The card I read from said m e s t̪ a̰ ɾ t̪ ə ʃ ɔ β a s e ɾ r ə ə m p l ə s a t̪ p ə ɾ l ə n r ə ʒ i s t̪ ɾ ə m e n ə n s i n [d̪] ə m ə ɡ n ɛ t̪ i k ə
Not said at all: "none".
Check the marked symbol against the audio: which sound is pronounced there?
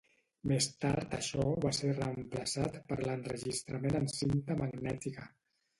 t̪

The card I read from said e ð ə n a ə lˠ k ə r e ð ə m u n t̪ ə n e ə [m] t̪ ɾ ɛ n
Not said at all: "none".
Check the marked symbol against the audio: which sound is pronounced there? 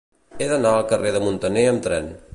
m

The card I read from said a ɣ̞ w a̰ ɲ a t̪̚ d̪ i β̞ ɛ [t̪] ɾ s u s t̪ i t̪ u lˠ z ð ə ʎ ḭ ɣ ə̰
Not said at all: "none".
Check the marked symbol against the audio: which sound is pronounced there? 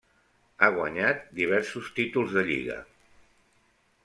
none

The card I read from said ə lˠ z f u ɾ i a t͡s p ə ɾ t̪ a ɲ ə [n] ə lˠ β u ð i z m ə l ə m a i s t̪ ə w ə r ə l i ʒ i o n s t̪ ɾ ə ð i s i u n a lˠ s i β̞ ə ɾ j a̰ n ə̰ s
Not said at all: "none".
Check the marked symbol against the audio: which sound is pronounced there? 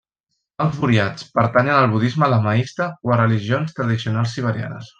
n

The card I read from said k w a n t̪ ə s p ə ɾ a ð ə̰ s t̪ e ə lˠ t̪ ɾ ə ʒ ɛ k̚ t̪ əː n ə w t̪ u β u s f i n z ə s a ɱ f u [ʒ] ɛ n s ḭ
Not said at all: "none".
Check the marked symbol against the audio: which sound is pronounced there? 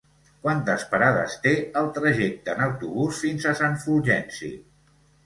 ʒ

